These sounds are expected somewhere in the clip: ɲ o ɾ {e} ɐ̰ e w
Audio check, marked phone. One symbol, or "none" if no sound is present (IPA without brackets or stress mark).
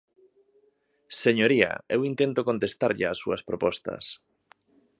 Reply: i